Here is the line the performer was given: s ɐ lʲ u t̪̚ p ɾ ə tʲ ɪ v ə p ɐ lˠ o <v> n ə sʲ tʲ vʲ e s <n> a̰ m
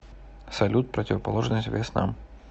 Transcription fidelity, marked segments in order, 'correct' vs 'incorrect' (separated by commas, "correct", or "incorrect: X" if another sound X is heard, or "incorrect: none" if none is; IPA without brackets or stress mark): incorrect: ʐ, correct